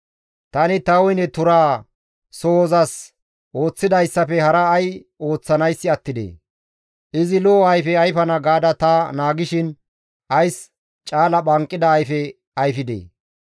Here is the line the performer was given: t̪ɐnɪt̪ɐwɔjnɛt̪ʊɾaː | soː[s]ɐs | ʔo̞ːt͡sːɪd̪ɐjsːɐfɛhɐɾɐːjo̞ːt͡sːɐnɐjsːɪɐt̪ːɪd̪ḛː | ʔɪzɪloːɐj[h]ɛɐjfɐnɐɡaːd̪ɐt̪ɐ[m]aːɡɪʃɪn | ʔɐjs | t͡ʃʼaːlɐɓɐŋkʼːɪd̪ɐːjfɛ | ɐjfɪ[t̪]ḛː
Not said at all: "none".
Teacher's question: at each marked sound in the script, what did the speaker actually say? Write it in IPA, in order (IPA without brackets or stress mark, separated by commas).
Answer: z, f, n, d̪